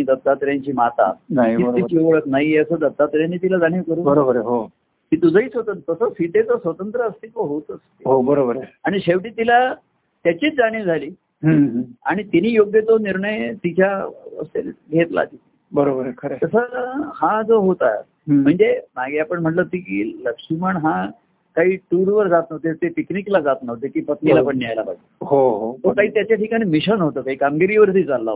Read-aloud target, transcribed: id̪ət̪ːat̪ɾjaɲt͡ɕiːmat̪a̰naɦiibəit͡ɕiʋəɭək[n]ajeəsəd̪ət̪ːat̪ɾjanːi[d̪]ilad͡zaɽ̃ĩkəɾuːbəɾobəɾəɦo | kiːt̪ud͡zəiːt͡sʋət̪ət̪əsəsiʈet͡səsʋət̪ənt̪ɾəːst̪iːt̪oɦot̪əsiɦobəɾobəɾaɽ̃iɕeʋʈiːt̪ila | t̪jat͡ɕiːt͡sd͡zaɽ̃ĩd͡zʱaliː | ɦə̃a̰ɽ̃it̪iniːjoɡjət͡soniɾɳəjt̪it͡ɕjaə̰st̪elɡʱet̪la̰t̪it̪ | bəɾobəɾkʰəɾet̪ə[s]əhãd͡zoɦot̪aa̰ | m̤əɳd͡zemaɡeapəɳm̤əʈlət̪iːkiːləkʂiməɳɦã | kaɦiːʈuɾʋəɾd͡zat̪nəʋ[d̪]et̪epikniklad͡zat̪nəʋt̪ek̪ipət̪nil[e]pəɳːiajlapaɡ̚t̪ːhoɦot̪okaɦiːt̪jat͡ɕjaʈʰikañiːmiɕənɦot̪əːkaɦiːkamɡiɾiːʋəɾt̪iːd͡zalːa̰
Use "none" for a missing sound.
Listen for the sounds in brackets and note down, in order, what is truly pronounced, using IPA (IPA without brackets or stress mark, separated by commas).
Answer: n, t̪, s, t̪, a